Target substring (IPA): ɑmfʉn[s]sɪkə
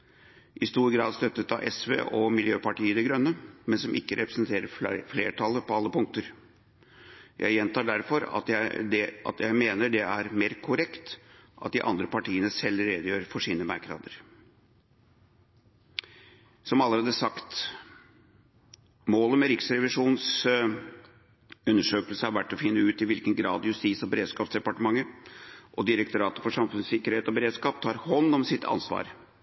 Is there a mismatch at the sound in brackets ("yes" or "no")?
no